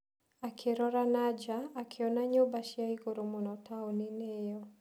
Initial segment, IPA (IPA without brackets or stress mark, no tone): a